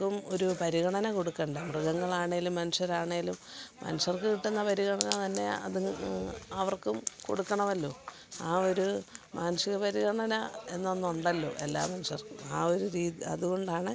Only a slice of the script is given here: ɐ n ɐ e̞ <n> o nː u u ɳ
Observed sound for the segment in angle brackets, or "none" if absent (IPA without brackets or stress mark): nː